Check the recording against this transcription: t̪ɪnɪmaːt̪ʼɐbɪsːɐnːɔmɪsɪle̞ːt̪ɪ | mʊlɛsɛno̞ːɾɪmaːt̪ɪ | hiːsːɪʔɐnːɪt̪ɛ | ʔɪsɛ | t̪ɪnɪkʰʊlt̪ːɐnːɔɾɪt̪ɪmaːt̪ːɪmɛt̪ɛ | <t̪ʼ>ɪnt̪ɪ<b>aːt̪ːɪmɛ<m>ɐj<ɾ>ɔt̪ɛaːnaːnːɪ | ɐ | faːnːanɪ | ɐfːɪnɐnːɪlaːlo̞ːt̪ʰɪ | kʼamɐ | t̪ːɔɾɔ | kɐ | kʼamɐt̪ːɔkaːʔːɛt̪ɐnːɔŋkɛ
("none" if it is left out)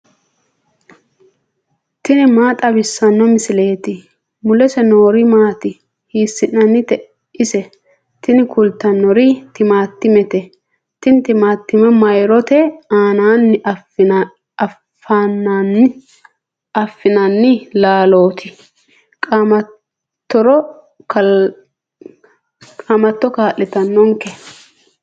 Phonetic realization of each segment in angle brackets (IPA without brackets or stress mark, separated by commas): t̪, m, m, ɾ